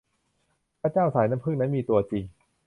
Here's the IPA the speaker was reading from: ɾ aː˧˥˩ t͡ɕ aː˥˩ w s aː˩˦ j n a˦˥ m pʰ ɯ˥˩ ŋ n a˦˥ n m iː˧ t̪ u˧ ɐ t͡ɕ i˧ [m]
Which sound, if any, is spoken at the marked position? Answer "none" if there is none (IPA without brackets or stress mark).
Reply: ŋ